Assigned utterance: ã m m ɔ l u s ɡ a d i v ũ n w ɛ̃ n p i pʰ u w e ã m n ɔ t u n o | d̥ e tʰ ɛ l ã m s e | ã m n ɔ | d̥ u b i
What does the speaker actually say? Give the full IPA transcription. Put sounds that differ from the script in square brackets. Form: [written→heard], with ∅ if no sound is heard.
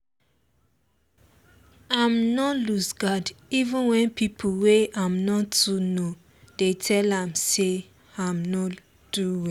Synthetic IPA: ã m [m→n] ɔ l u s ɡ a d i v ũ n w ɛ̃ n p i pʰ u w e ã m n ɔ t u n o | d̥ e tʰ ɛ l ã m s e | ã m n ɔ | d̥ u [b→w] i

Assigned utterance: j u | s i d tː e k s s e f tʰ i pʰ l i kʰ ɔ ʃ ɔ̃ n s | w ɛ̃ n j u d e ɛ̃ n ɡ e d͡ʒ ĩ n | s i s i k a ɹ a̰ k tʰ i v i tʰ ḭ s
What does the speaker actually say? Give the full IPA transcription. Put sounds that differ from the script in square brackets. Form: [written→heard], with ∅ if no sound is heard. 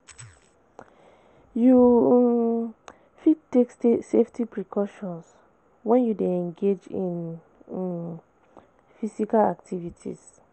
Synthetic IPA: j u | [s→f] i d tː e k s s e f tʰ i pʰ [l→ɹ] i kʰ ɔ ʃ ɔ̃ n s | w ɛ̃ n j u d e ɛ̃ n ɡ e d͡ʒ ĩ n | [s→f] i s i k a [ɹ→l] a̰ k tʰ i v i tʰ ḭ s

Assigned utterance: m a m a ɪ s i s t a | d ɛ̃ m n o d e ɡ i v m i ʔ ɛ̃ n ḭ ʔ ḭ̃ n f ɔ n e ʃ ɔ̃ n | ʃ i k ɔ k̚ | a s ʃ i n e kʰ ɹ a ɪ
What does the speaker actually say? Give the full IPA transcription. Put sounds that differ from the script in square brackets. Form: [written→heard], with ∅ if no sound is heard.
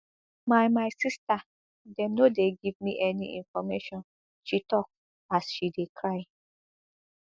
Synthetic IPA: m a m a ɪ s i s t a | d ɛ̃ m n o d e ɡ i v m i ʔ [ɛ̃→ɛ] n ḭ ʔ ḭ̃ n f ɔ [n→m] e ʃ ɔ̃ n | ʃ i [k→t] ɔ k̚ | a s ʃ i [n→d] e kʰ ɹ a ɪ

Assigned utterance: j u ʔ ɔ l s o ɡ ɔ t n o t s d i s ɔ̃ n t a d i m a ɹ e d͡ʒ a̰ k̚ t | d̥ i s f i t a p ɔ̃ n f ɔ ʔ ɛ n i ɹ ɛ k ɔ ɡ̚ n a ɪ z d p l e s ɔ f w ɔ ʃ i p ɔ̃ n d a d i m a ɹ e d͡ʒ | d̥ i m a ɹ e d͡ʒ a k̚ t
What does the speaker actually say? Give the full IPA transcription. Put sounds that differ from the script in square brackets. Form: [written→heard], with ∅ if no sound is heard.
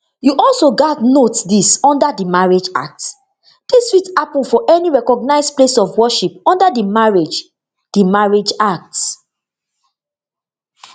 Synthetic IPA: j u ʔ ɔ l s o ɡ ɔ t n o t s d i s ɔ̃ n [t→d] a d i m a ɹ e d͡ʒ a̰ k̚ t | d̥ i s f i t a p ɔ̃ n f ɔ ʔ ɛ n i ɹ ɛ k ɔ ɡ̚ n a ɪ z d p l e s ɔ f w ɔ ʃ i p ɔ̃ n d a d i m a ɹ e d͡ʒ | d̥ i m a ɹ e d͡ʒ a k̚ t

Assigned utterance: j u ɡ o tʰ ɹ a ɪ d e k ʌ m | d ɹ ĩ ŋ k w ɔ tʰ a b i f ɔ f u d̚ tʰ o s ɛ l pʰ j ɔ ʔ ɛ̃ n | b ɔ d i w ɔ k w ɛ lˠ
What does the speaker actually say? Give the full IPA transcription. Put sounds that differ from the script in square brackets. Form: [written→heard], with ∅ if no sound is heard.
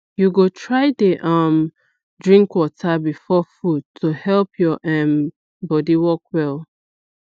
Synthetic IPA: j u ɡ o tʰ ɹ a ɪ d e [k→ʔ] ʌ m | d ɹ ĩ ŋ k w ɔ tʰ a b i f ɔ f u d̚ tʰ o [s→h] ɛ l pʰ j ɔ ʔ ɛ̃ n | b ɔ d i w ɔ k w ɛ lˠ

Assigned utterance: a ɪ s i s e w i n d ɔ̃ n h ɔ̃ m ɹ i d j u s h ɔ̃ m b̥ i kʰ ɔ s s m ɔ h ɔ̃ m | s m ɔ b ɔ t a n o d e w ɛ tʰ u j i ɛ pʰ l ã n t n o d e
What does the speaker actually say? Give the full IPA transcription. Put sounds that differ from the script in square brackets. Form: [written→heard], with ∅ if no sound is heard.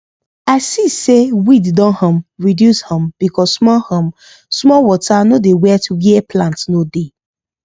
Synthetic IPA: a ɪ s i s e w i [n→d] d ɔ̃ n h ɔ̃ m ɹ i d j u s h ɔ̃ m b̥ i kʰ ɔ s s m ɔ h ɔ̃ m | s m ɔ [b→w] ɔ t a n o d e w ɛ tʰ u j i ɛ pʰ l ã n t n o d e

